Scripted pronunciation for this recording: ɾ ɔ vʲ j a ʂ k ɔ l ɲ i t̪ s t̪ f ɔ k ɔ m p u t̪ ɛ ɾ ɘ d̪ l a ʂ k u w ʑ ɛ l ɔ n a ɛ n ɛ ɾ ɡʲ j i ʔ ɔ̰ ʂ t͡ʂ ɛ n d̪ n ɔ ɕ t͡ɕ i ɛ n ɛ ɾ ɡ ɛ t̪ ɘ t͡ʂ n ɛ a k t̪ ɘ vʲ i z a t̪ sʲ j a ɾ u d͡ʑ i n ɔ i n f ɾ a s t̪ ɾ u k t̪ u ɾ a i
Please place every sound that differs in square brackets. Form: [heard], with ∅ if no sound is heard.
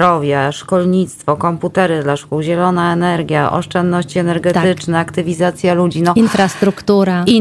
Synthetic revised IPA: ɾ ɔ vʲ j a ʂ k ɔ l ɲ i t̪ s t̪ f ɔ k ɔ m p u t̪ ɛ ɾ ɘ d̪ l a ʂ k u w ʑ ɛ l ɔ n a ɛ n ɛ ɾ ɡʲ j [a] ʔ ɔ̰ ʂ t͡ʂ ɛ n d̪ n ɔ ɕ t͡ɕ i ɛ n ɛ ɾ ɡ ɛ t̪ ɘ t͡ʂ n ɛ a k t̪ ɘ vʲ i z a t̪ sʲ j a [l] u d͡ʑ i n ɔ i n f ɾ a s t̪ ɾ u k t̪ u ɾ a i